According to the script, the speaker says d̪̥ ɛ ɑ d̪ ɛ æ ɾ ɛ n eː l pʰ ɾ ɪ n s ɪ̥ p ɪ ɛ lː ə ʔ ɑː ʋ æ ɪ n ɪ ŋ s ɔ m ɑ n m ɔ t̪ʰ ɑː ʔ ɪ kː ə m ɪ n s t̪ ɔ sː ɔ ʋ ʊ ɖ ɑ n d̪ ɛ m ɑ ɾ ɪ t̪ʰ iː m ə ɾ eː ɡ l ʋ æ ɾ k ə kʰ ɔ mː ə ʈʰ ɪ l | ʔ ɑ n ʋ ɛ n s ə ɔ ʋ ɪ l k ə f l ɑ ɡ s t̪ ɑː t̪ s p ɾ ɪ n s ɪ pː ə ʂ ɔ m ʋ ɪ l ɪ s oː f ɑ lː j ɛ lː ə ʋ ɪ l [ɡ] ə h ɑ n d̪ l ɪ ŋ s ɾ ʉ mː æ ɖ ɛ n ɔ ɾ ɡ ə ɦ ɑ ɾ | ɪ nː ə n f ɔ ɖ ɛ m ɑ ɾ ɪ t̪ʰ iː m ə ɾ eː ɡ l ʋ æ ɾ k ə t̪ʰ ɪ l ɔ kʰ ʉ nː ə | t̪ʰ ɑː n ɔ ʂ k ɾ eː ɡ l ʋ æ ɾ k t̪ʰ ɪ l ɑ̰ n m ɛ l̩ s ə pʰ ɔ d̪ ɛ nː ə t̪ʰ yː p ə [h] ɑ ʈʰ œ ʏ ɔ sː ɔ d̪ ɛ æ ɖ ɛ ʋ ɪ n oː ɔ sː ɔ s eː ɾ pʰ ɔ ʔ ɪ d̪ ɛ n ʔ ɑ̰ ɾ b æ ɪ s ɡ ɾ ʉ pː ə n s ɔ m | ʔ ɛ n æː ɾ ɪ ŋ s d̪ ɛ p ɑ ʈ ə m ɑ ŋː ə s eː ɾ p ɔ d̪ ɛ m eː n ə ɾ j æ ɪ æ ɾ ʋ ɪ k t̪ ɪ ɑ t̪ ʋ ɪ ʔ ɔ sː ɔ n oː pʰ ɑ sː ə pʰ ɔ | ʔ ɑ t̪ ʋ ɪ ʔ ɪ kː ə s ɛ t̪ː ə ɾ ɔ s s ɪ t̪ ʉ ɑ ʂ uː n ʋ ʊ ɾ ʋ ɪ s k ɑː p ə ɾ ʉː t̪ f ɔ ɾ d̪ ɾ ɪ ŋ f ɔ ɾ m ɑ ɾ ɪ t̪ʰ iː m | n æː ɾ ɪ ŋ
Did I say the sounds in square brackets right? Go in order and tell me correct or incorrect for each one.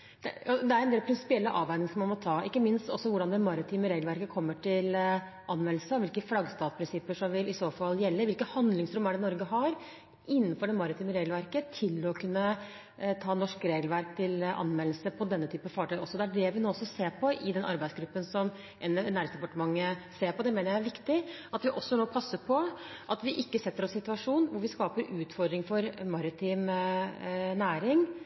incorrect: k, incorrect: f

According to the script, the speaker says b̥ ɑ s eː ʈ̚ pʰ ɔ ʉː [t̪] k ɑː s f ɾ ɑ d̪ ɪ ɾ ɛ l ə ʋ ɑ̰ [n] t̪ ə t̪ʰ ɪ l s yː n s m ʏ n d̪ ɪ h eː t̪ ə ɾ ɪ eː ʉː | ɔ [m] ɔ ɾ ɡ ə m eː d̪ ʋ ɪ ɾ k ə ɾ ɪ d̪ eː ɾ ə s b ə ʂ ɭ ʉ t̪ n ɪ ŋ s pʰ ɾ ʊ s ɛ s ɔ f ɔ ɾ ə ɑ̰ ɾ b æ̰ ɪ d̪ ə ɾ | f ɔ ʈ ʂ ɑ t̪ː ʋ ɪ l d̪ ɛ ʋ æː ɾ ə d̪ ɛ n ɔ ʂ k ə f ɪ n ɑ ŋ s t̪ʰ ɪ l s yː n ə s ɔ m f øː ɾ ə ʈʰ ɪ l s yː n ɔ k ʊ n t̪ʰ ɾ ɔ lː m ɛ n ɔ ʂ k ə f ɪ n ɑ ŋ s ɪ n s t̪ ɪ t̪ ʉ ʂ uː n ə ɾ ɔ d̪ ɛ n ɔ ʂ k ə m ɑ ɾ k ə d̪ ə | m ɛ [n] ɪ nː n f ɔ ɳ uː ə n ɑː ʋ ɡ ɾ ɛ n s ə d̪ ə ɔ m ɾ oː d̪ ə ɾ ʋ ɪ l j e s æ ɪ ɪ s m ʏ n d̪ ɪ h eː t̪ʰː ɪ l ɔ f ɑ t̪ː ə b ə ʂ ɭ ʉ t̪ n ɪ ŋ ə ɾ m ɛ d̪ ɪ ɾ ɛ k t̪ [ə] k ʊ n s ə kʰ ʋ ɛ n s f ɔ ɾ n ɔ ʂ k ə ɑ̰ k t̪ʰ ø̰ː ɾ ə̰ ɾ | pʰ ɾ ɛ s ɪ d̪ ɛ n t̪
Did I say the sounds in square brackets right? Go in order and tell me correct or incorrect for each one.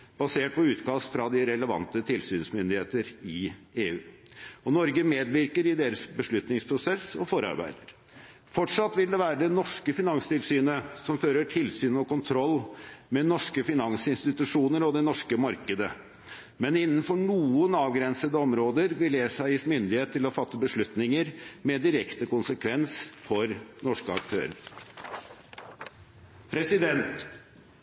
correct, correct, incorrect: n, correct, correct

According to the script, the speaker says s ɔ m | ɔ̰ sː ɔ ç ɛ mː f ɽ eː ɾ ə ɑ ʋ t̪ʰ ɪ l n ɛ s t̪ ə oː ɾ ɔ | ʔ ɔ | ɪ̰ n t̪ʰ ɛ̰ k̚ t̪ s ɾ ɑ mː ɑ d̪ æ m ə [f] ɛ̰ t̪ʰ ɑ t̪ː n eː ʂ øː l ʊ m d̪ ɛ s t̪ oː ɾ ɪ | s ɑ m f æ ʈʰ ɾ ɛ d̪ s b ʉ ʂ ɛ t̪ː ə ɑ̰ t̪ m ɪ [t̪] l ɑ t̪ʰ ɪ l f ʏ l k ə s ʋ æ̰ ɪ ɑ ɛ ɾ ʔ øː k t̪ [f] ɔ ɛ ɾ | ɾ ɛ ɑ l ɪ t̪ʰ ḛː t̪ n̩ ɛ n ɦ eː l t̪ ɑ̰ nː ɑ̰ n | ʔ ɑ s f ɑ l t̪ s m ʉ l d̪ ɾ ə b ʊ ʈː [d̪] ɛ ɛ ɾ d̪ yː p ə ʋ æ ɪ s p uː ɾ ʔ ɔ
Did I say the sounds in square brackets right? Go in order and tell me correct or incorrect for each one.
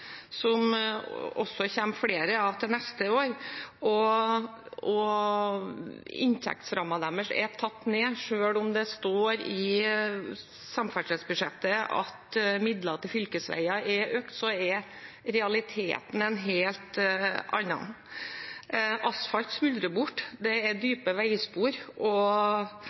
incorrect: ʂ, incorrect: d̪, incorrect: s, correct

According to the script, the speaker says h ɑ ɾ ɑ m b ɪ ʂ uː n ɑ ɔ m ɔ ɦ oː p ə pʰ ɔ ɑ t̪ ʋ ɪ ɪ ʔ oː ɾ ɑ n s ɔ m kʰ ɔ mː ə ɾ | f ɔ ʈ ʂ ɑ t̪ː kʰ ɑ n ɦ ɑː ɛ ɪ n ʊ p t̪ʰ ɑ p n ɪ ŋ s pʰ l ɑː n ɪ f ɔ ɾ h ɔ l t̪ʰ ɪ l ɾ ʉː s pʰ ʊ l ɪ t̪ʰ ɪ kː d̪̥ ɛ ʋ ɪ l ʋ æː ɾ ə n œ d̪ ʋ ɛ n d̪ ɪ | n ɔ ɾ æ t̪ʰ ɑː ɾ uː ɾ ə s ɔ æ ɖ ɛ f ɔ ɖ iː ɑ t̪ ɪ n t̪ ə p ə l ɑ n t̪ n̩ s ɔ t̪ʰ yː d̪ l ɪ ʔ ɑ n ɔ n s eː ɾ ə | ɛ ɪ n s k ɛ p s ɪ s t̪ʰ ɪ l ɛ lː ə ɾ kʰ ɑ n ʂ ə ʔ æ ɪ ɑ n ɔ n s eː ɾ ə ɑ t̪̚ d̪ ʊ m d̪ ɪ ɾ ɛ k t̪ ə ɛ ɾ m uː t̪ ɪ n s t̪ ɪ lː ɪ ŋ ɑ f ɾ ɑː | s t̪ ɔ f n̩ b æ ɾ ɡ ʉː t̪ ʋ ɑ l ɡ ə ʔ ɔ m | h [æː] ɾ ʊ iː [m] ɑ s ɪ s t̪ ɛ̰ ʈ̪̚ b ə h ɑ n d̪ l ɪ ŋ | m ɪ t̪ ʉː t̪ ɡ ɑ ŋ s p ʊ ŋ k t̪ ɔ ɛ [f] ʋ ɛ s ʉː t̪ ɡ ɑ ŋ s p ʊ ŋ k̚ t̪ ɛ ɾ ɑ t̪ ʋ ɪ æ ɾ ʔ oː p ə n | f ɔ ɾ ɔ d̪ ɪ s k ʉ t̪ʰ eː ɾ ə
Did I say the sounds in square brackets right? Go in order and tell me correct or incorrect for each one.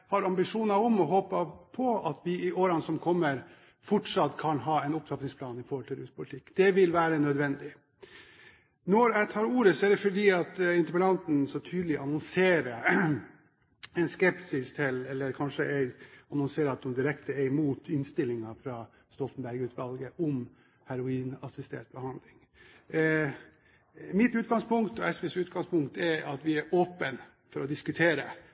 incorrect: æ, incorrect: n, incorrect: s

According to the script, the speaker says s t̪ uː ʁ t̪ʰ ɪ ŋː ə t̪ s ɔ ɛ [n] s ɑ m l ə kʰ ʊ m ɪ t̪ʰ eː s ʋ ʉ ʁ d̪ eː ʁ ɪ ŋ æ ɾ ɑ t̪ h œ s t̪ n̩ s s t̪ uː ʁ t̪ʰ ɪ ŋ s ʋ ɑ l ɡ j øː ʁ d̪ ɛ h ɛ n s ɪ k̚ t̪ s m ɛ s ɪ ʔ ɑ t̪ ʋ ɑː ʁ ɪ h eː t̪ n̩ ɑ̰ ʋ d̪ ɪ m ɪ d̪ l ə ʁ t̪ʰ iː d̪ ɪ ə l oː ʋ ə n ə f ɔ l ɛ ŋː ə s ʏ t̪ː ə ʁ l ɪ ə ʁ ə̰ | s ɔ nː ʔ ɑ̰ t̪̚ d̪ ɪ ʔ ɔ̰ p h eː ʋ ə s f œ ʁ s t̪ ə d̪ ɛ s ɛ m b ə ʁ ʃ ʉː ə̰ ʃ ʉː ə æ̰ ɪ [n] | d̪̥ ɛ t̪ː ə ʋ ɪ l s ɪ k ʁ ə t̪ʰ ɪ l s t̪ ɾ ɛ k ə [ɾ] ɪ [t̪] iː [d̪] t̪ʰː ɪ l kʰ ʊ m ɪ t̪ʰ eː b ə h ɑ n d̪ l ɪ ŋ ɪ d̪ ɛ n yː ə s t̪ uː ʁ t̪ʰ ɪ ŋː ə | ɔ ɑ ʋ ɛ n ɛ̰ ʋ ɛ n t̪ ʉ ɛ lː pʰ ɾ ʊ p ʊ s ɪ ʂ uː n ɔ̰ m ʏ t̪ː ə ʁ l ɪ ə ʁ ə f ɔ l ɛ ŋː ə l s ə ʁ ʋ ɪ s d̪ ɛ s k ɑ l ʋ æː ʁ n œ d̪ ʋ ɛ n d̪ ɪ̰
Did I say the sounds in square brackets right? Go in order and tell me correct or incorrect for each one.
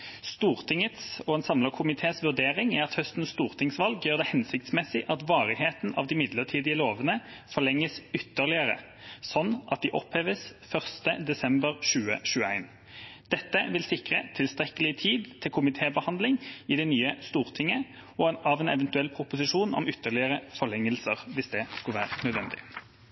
correct, correct, incorrect: l, incorrect: t̪ʰ, correct

